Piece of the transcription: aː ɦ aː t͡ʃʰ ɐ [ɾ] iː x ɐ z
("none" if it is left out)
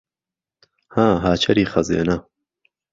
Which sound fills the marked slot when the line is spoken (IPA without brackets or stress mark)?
ɾ